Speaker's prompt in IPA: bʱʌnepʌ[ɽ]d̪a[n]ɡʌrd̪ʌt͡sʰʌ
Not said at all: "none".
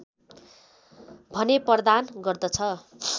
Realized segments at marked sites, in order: r, n

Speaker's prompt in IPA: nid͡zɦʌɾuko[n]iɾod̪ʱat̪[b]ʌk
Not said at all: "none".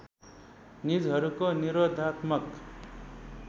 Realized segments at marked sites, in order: n, m

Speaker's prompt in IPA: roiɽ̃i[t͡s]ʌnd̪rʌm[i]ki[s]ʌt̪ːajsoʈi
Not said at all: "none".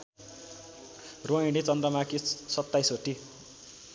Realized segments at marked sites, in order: t͡s, a, s

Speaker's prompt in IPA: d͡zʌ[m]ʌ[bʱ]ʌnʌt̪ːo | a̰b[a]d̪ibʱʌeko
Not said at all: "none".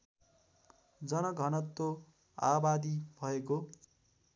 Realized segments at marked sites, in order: n, ɡʱ, a

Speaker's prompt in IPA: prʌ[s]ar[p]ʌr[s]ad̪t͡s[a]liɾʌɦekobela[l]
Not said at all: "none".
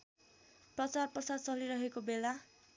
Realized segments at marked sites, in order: t͡s, p, s, ʌ, none

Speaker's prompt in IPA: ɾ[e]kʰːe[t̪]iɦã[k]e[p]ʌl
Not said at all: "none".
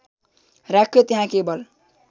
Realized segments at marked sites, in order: a, t̪, k, b

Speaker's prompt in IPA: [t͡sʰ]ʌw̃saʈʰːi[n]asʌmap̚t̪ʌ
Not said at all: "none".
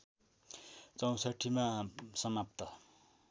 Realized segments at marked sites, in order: t͡s, m

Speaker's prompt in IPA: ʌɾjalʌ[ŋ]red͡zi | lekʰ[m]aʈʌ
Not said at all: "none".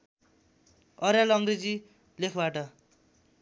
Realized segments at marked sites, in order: ŋ, b

